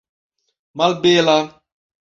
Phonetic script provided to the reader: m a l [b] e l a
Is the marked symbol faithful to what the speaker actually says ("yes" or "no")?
yes